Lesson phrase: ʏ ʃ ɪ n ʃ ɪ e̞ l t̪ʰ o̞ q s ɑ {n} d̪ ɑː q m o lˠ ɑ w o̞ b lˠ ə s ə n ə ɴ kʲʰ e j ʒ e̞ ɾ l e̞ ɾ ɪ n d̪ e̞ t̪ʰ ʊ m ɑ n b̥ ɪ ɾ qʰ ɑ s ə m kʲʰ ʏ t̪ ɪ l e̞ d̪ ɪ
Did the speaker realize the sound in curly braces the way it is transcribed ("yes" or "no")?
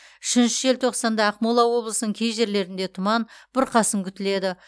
yes